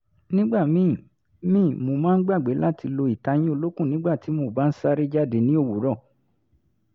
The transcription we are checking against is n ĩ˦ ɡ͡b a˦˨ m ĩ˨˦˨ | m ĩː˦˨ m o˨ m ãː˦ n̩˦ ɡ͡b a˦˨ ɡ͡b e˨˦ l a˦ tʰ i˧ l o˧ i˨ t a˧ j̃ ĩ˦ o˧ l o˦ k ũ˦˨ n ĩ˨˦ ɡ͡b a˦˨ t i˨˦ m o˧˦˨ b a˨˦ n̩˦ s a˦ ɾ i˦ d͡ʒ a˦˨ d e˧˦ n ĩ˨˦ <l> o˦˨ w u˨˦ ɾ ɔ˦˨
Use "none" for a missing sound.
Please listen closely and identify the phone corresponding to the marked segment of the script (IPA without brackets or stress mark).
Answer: none